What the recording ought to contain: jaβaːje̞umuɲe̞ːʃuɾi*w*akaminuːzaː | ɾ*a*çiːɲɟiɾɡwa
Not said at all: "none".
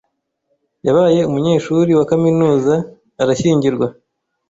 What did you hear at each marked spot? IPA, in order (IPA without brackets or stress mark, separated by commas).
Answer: w, a